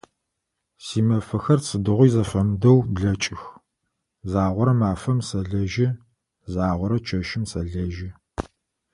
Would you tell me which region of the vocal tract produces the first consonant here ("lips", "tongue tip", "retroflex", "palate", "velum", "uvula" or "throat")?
tongue tip